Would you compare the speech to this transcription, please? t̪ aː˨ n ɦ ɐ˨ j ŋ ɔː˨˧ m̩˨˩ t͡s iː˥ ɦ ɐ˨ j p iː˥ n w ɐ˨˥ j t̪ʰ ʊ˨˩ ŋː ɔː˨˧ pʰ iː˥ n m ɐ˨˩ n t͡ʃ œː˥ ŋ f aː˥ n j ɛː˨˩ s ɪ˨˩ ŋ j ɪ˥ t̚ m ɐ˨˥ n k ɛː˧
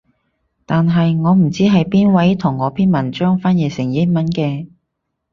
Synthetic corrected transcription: t̪ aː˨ n ɦ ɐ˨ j ŋ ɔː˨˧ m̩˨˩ t͡s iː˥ ɦ ɐ˨ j p iː˥ n w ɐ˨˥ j t̪ʰ ʊ˨˩ ŋː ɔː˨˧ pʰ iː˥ n m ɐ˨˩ n t͡ʃ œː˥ ŋ f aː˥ n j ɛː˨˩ s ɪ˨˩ ŋ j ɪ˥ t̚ m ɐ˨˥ n k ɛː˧

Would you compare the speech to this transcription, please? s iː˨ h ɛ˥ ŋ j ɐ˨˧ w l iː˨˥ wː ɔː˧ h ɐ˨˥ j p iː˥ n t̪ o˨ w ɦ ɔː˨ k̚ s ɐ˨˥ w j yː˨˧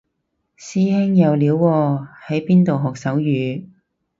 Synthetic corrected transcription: s iː˥ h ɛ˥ ŋ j ɐ˨˧ w l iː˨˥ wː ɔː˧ h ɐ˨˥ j p iː˥ n t̪ o˨ w ɦ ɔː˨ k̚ s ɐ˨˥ w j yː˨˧

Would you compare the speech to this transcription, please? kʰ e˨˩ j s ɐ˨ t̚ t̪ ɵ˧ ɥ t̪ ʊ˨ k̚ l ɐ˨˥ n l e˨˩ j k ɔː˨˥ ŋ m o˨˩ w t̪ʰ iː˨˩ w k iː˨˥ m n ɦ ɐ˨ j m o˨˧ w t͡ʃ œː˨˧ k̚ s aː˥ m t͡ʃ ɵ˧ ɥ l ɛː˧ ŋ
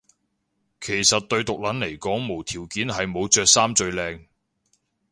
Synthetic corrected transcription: kʰ e˨˩ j s ɐ˨ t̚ t̪ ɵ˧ ɥ t̪ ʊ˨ k̚ l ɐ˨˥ n l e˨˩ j k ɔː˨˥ ŋ m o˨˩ w t̪ʰ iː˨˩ w k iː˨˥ n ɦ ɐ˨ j m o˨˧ w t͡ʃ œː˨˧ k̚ s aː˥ m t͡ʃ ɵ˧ ɥ l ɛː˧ ŋ

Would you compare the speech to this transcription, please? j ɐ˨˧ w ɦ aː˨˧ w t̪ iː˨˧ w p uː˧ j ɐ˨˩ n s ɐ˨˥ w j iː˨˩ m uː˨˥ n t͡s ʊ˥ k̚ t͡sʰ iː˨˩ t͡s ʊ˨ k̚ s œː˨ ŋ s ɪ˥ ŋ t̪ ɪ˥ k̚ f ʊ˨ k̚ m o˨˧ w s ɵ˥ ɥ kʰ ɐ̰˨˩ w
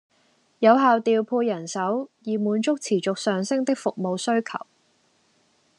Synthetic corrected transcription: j ɐ˨˧ w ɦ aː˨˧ w t̪ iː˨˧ w pʰ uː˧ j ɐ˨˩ n s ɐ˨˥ w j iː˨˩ m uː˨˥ n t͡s ʊ˥ k̚ t͡sʰ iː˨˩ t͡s ʊ˨ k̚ s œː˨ ŋ s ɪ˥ ŋ t̪ ɪ˥ k̚ f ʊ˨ k̚ m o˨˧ w s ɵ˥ ɥ kʰ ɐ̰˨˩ w

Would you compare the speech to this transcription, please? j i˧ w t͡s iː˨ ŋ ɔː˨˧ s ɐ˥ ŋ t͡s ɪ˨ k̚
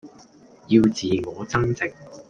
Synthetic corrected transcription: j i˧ w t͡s iː˨ ŋ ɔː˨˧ t͡s ɐ˥ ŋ t͡s ɪ˨ k̚

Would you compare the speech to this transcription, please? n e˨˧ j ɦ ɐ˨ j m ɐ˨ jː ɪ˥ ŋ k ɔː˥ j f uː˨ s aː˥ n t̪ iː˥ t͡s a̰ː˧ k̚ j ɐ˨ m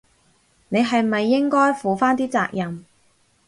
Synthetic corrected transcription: n e˨˧ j ɦ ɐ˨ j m ɐ˨ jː ɪ˥ ŋ k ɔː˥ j f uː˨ f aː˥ n t̪ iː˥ t͡s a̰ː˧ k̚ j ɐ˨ m

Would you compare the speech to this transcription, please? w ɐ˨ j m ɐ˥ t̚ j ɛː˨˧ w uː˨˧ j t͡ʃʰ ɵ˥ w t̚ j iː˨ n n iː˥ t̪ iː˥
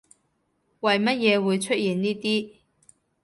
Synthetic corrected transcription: w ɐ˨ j m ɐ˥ t̚ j ɛː˨˧ w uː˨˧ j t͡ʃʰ ɵ˥ t̚ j iː˨ n n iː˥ t̪ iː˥

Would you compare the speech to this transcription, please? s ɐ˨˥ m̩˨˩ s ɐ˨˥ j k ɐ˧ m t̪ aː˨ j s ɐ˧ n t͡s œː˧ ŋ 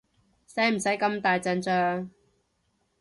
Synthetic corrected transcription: s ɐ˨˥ m̩˨˩ s ɐ˨˥ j k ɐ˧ m t̪ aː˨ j t͡s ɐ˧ n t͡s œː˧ ŋ

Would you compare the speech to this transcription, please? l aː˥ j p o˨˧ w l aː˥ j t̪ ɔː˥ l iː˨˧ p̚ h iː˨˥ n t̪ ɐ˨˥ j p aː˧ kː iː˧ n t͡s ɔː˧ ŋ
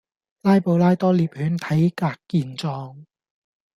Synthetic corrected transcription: l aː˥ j p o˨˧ w l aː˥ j t̪ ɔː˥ l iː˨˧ p̚ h yː˨˥ n t̪ʰ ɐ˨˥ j k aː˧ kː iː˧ n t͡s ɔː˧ ŋ

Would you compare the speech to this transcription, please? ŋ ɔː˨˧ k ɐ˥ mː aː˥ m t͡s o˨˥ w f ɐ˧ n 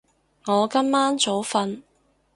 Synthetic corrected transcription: ŋ ɔː˨˧ k ɐ˥ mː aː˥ n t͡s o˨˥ w f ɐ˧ n

